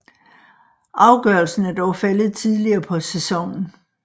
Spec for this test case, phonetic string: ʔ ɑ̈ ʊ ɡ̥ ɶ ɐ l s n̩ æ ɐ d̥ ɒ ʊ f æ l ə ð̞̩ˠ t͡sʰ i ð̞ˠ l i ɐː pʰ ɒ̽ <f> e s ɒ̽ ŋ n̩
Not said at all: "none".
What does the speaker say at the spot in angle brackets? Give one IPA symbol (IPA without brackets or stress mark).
s